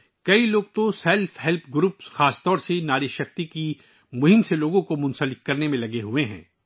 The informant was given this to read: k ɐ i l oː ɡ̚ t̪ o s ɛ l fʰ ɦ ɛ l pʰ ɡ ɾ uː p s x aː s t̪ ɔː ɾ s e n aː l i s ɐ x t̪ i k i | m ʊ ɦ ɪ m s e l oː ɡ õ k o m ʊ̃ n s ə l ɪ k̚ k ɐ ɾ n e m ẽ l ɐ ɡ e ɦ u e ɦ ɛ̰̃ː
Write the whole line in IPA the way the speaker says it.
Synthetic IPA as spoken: k ɐ i l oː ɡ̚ t̪ o s ɛ l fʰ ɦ ɛ l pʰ ɡ ɾ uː p s x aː s t̪ ɔː ɾ s e n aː ɾ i ʃ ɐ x t̪ i k i | m ʊ ɦ ɪ m s e l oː ɡ õ k o m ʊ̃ n s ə l ɪ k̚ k ɐ ɾ n e m ẽ l ɐ ɡ e ɦ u e ɦ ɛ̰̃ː